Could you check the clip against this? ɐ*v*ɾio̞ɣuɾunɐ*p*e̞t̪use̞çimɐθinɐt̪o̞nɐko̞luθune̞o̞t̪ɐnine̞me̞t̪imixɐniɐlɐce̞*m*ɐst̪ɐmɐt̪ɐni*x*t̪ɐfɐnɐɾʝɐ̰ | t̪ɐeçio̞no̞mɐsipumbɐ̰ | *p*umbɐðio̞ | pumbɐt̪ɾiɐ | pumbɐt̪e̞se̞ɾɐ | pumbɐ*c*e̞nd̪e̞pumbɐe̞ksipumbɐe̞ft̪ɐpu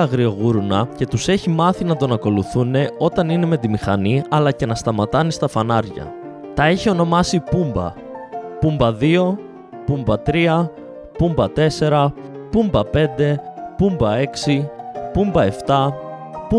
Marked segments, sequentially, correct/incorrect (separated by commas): incorrect, incorrect, incorrect, incorrect, correct, incorrect